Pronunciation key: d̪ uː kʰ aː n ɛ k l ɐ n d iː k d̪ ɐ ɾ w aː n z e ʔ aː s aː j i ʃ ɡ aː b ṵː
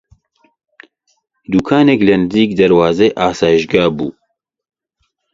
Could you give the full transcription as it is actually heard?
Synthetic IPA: d̪ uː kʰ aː n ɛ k l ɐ n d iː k d̪ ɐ ɾ w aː z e ʔ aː s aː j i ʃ ɡ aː b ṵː